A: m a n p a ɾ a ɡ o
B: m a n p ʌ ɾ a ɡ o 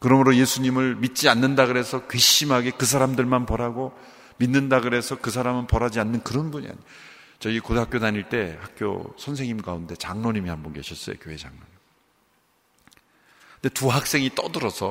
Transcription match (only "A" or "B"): B